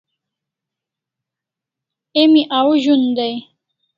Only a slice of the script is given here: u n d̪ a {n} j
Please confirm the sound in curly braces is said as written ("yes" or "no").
no